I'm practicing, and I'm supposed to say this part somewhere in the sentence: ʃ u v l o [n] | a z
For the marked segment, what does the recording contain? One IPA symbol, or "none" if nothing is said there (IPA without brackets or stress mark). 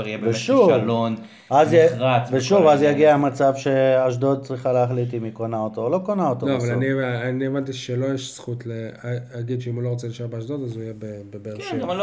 n